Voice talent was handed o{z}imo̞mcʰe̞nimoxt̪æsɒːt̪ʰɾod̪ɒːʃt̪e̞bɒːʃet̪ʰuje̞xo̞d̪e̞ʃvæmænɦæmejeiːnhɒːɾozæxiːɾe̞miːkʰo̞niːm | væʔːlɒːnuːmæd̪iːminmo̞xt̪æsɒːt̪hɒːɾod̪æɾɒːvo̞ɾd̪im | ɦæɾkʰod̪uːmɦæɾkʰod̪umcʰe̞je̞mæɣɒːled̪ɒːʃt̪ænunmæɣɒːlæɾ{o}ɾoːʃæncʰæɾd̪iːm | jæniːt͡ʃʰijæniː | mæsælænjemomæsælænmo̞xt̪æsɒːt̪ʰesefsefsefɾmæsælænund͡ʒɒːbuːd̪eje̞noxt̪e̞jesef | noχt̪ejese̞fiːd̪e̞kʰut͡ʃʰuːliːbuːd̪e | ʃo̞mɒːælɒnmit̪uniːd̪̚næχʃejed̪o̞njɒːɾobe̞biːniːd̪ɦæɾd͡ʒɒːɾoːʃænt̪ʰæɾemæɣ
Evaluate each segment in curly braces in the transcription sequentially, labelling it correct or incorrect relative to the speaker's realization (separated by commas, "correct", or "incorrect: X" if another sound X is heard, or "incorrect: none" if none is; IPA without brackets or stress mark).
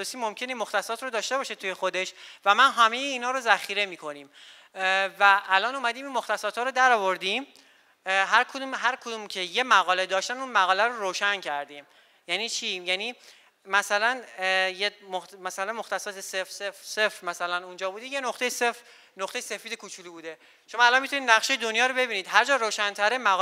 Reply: incorrect: s, correct